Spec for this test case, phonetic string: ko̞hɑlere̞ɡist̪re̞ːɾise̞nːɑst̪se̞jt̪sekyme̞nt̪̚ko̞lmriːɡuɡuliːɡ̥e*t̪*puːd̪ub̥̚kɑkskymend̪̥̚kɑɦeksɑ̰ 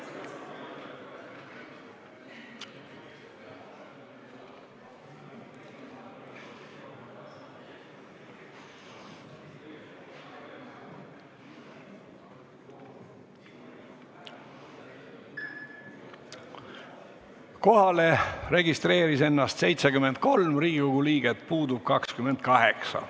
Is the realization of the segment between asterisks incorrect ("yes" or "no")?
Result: no